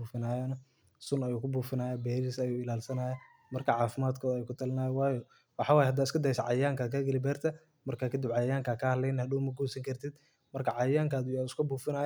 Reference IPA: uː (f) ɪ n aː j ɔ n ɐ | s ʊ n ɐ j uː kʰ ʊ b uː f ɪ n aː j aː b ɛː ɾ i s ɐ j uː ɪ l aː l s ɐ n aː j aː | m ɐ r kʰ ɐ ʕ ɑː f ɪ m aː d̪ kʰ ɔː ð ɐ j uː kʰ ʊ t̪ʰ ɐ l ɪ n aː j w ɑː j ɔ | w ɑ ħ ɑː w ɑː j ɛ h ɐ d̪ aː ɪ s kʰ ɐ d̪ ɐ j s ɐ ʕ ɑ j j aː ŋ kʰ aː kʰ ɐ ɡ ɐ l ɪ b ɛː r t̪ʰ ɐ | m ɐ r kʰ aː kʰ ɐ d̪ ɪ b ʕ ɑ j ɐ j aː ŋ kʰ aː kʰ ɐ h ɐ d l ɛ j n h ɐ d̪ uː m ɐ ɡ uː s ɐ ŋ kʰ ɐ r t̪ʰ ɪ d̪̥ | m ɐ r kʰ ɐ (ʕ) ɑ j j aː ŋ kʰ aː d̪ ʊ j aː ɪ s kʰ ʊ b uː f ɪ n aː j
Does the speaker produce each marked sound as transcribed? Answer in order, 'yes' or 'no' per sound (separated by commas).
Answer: yes, yes